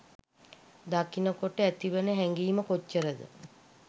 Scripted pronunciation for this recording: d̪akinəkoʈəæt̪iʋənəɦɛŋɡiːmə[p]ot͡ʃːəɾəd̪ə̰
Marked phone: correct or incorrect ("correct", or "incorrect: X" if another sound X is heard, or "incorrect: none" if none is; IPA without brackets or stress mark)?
incorrect: k